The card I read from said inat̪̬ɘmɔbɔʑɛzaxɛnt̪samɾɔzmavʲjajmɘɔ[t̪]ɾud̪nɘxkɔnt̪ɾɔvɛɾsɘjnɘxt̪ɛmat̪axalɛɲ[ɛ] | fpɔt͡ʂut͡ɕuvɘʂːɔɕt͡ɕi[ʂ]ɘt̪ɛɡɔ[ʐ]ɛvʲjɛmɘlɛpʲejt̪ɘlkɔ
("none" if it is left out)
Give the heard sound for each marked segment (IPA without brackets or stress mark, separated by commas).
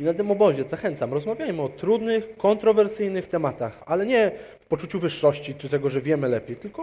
t̪, ɛ, t͡ʂ, ʐ